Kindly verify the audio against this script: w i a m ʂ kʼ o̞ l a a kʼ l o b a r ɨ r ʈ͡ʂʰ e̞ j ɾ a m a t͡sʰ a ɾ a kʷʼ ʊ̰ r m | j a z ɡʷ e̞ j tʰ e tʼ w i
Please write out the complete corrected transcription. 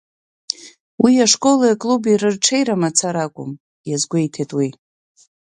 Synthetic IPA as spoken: w i a ʂ kʼ o̞ l a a kʼ l u b i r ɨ r ʈ͡ʂʰ e̞ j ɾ a m a t͡sʰ a ɾ a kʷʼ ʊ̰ m | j a z ɡʷ e̞ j tʰ e tʼ w i